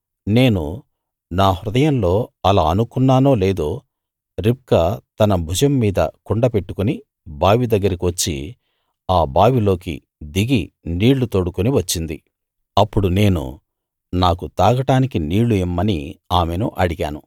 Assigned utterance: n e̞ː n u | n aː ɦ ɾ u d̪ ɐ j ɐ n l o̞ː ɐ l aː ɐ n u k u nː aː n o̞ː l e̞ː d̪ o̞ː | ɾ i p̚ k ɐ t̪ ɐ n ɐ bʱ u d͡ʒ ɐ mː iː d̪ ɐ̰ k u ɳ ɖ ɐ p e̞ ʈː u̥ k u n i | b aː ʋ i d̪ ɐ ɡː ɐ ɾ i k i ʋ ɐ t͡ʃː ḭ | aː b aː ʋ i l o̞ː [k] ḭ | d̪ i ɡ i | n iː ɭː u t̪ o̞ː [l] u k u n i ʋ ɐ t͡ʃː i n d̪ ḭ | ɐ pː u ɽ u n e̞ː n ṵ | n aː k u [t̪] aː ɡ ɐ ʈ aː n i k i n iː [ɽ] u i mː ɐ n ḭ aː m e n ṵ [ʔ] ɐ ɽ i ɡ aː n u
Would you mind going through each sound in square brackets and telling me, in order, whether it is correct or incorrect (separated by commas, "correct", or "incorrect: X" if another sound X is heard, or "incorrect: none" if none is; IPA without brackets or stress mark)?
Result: correct, incorrect: ɽ, correct, incorrect: ɭ, correct